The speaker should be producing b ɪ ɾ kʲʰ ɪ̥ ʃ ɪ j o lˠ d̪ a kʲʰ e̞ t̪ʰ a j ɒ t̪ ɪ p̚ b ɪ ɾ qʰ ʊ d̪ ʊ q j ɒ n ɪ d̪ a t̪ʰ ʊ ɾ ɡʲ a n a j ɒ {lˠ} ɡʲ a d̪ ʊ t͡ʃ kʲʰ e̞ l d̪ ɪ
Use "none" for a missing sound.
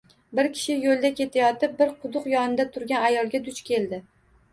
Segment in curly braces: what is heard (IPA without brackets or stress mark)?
lˠ